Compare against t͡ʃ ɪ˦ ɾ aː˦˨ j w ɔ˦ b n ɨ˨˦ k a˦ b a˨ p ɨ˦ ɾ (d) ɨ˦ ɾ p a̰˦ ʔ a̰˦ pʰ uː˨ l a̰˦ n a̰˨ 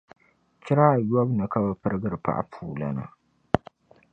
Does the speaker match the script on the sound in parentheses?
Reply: no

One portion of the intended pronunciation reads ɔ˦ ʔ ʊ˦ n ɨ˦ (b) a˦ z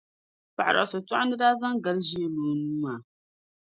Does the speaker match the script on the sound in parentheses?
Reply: no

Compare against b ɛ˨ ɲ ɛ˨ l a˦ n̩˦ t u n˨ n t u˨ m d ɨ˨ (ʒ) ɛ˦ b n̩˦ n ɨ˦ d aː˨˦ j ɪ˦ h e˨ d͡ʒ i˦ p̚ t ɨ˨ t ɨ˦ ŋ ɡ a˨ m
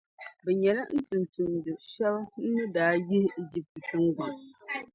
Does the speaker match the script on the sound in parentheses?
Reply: no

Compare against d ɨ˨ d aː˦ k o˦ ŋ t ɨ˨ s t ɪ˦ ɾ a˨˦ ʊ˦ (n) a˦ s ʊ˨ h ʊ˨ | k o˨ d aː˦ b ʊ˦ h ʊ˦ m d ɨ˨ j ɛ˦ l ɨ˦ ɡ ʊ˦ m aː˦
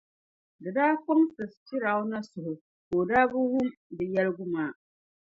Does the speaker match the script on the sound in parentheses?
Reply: yes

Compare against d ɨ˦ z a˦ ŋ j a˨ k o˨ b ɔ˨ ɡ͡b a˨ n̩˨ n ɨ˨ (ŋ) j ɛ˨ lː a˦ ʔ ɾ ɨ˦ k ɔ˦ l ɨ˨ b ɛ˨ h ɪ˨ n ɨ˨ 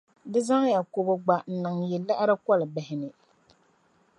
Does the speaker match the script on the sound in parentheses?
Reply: yes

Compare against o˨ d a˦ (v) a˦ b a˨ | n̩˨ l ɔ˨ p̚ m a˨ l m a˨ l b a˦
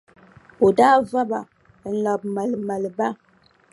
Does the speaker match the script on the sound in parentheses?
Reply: yes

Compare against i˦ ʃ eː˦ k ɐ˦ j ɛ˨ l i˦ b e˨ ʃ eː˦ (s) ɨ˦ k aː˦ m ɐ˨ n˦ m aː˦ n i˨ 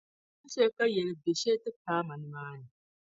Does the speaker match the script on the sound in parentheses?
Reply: no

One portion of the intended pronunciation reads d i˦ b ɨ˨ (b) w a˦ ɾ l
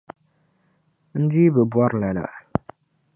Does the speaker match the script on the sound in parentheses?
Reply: yes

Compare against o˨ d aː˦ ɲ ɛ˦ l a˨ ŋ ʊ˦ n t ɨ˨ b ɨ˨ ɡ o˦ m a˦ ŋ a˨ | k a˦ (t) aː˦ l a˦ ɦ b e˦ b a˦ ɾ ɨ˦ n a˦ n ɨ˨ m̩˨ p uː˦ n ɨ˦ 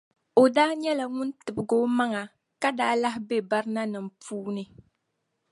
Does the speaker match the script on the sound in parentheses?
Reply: no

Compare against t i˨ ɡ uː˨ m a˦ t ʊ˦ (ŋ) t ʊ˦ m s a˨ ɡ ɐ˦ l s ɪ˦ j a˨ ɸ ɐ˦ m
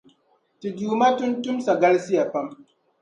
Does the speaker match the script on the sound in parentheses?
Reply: no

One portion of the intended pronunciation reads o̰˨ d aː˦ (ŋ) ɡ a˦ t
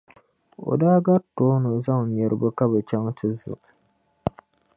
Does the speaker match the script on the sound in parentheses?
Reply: no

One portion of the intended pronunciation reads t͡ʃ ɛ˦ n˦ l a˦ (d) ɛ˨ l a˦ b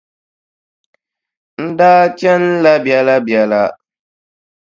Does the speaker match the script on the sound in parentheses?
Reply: no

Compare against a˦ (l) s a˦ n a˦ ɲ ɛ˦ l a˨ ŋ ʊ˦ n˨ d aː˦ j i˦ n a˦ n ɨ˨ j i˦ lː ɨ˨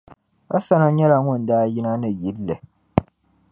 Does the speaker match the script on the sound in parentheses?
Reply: no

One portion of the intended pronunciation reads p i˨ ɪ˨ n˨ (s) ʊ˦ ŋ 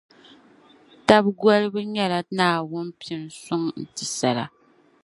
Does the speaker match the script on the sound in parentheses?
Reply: yes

